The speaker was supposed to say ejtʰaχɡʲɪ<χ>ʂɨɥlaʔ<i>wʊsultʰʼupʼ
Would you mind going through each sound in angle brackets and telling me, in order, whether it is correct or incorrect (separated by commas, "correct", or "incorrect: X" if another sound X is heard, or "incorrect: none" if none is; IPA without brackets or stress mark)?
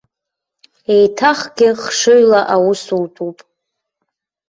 correct, incorrect: a